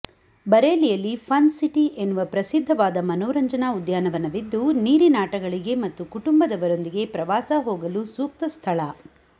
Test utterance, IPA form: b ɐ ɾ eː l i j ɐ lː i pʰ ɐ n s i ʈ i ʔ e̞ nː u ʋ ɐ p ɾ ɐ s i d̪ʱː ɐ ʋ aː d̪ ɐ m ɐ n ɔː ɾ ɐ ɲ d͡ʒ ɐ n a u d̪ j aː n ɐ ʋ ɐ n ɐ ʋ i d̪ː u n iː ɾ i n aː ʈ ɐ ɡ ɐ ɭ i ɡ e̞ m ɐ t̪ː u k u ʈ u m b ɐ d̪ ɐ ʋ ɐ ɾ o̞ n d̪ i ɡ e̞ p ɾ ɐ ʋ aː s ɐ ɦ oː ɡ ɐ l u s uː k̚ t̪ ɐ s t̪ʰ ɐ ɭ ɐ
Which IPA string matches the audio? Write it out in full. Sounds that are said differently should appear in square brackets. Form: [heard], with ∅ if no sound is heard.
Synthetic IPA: b ɐ ɾ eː l i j ɐ lː i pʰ ɐ n s i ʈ i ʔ e̞ nː u ʋ ɐ p ɾ ɐ s i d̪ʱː ɐ ʋ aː d̪ ɐ m ɐ n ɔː ɾ ɐ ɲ d͡ʒ ɐ n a u d̪ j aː n ɐ ʋ ɐ n ɐ ʋ i d̪ː u n iː ɾ i n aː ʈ ɐ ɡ ɐ ɭ i ɡ e̞ m ɐ t̪ː u k u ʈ u m b ɐ d̪ ɐ ʋ ɐ ɾ o̞ n d̪ i ɡ e̞ p ɾ ɐ ʋ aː s ɐ ɦ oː ɡ ɐ l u s uː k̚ t̪ ɐ s t̪ʰ ɐ ɭ ɐ